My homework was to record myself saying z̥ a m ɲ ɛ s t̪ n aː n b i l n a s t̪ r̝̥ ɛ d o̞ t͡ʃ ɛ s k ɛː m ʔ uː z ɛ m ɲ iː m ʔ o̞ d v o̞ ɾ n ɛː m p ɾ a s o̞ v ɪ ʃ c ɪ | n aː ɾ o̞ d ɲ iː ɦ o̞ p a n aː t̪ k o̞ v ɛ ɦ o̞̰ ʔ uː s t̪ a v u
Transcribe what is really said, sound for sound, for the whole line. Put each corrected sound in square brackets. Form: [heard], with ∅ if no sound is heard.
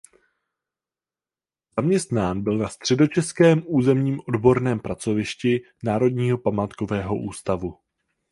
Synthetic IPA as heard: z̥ a m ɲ ɛ s t̪ n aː n b [ɪ] l n a s t̪ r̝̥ ɛ d o̞ t͡ʃ ɛ s k ɛː m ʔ uː z ɛ m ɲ iː m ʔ o̞ d [b] o̞ ɾ n ɛː m p ɾ a [t͡s] o̞ v ɪ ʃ c ɪ | n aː ɾ o̞ d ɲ iː ɦ o̞ p a [m] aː t̪ k o̞ v [ɛː] ɦ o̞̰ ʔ uː s t̪ a v u